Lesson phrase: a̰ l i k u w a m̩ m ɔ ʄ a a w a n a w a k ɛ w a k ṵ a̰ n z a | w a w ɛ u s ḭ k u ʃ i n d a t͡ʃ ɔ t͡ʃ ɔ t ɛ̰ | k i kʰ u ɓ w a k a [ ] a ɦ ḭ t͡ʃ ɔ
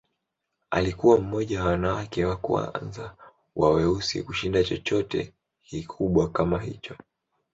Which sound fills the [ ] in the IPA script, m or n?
m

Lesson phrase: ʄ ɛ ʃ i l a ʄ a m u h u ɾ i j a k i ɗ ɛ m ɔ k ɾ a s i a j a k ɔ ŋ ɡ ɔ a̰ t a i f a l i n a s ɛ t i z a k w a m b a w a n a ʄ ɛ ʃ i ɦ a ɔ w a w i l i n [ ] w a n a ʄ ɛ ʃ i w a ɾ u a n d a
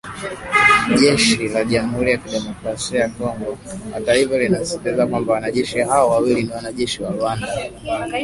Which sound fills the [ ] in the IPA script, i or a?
i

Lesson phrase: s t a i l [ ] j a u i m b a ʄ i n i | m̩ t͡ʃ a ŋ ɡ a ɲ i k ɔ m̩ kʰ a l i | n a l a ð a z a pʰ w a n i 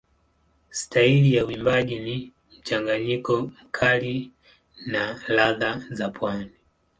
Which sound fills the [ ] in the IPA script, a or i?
i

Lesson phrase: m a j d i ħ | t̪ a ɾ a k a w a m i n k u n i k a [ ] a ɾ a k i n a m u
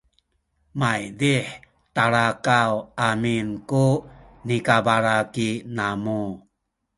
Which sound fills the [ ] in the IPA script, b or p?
b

